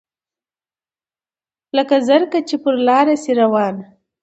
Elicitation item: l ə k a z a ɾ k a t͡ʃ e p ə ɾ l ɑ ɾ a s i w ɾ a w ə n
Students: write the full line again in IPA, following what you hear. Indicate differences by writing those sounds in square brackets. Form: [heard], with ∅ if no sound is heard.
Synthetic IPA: l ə k a z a ɾ k a t͡ʃ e p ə ɾ l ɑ ɾ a s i [∅] ɾ a w [ɑ] n